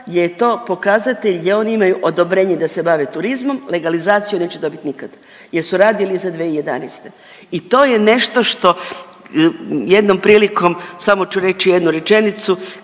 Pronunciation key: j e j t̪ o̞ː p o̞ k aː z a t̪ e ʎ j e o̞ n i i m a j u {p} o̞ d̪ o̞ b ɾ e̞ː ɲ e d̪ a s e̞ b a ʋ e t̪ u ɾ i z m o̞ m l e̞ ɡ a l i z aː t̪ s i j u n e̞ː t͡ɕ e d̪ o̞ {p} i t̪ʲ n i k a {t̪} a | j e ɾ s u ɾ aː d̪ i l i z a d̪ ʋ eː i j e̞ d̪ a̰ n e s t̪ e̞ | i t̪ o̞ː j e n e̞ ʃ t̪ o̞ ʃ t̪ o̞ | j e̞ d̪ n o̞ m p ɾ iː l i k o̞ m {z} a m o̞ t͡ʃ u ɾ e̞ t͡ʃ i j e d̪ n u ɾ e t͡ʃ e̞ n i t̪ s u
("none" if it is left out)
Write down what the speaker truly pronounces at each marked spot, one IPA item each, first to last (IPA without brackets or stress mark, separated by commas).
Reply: ʔ, b, d̪, s